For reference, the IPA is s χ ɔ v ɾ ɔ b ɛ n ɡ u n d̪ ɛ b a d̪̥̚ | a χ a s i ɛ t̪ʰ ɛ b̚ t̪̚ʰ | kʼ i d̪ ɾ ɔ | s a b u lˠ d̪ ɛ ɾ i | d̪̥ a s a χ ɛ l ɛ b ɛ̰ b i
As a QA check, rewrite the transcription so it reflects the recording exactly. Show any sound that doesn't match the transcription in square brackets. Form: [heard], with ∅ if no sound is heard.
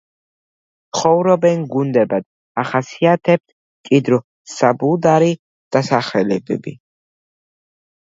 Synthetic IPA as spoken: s χ ɔ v ɾ ɔ b ɛ n ɡ u n d̪ ɛ b a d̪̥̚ | a χ a s i [a] t̪ʰ ɛ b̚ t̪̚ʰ | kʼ i d̪ ɾ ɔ | s a b u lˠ d̪ [a] ɾ i | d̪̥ a s a χ ɛ l ɛ b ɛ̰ b i